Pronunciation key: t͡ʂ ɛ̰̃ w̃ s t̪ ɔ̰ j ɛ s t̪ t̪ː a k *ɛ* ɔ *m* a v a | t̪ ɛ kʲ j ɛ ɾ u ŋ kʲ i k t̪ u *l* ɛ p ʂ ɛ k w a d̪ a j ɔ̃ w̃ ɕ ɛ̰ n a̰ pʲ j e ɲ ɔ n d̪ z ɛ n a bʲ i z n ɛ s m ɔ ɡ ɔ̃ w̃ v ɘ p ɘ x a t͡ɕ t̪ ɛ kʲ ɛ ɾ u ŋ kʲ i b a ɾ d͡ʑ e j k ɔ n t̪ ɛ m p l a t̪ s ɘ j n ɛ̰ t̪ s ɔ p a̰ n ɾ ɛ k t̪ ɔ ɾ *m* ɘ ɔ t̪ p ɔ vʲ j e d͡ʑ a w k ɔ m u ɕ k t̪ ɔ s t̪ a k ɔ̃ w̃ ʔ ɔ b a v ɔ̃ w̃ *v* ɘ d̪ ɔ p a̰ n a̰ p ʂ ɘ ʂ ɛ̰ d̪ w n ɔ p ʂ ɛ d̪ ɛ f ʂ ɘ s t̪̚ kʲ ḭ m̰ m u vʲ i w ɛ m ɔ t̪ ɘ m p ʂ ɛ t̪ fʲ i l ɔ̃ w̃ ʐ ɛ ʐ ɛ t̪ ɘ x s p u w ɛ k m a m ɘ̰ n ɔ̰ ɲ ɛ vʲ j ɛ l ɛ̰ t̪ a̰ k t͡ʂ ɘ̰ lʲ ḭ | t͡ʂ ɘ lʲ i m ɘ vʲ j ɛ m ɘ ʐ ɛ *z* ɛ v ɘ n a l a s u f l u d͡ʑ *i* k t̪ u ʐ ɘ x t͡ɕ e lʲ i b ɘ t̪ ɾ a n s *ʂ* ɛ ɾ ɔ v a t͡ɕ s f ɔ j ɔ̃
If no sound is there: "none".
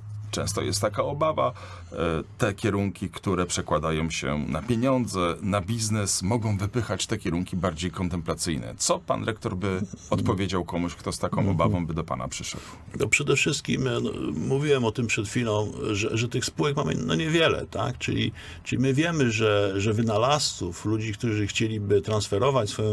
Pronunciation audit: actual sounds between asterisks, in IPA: a, b, ɾ, b, b, ʐ, i, f

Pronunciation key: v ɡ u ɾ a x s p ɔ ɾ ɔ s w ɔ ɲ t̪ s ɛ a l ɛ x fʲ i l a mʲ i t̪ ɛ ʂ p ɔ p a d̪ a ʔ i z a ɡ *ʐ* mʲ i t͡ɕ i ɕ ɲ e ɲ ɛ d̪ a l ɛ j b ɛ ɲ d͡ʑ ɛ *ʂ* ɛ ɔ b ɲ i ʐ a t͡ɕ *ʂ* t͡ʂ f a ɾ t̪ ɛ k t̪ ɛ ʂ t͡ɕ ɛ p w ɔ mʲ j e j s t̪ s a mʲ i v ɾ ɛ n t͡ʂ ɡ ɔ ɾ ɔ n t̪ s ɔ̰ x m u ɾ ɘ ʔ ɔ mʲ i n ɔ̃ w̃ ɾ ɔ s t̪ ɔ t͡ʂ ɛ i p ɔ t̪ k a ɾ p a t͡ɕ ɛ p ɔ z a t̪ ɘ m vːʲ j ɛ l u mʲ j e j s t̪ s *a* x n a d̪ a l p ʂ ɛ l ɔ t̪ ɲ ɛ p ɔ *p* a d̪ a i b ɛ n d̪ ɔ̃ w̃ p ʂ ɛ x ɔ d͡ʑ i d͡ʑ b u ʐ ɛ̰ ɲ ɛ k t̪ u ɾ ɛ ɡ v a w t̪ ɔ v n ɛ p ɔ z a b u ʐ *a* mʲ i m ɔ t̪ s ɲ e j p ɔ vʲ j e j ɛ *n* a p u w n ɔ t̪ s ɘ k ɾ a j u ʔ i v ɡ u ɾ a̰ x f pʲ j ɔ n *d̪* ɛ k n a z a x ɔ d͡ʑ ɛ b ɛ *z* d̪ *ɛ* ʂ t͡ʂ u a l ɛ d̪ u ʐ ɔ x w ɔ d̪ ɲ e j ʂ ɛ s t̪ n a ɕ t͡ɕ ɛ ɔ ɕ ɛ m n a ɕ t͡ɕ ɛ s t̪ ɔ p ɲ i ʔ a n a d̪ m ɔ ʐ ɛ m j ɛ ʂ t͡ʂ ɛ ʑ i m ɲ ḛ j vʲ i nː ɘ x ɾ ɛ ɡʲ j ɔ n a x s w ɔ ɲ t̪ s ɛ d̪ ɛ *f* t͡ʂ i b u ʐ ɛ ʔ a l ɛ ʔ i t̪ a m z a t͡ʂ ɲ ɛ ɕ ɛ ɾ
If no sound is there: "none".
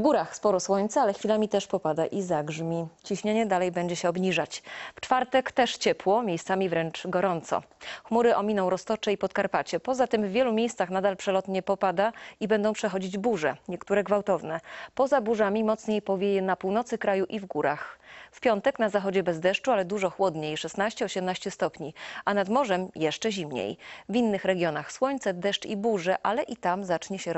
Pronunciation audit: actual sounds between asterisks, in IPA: ʐ, ɕ, f, a, p, a, n, t̪, z, ɛ, ʂ

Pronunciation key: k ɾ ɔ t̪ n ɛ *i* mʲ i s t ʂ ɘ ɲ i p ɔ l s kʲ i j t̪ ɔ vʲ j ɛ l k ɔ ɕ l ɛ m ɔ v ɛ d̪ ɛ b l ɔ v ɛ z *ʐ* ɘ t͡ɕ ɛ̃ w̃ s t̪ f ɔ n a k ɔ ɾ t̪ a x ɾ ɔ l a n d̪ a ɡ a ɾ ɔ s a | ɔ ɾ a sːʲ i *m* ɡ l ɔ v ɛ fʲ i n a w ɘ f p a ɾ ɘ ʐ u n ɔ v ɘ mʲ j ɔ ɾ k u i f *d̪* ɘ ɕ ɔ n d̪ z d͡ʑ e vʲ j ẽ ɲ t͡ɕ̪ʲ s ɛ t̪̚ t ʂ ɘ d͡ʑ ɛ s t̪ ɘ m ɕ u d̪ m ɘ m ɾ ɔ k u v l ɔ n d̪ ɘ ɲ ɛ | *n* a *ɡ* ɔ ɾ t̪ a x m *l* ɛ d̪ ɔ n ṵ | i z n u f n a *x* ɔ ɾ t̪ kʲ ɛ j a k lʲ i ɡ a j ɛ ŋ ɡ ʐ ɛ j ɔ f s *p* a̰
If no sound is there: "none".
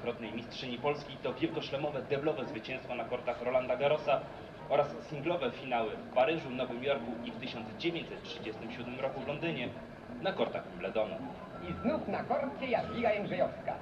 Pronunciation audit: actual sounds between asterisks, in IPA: j, v, ŋ, t̪, n, k, l, k, k

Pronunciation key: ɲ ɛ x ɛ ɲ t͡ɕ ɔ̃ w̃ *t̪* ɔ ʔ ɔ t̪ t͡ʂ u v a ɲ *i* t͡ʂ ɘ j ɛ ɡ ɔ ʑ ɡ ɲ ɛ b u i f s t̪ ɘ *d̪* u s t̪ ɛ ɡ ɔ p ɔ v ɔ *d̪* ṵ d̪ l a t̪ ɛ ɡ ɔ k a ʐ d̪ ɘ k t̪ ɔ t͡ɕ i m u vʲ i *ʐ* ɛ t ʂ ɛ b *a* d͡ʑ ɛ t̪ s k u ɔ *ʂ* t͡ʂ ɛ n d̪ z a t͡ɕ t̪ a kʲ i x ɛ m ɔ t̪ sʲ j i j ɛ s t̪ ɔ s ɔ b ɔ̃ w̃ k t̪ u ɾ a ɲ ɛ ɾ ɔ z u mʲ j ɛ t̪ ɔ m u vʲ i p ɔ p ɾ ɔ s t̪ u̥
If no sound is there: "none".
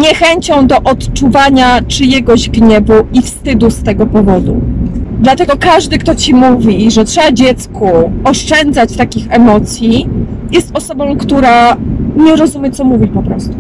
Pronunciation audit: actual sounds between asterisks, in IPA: d̪, a, d̪, d̪, ʐ, a, ʂ

